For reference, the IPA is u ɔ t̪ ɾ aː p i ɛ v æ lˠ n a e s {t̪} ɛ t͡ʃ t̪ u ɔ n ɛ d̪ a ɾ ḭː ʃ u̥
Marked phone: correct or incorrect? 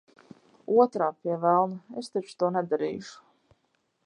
correct